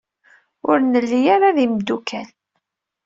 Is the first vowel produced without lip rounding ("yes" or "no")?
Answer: no